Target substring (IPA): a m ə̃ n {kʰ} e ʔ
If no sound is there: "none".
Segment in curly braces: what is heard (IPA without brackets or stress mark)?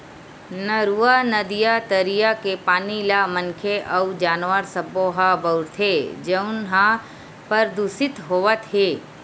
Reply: kʰ